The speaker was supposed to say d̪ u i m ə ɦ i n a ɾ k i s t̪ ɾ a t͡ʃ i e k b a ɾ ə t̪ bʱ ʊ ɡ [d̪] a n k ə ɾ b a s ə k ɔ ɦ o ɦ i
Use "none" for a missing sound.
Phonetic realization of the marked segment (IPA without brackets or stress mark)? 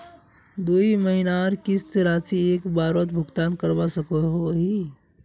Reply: t̪